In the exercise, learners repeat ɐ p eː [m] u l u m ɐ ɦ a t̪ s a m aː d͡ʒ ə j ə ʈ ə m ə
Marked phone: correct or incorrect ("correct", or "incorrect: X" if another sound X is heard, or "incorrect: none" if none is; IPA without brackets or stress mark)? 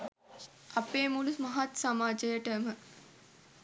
correct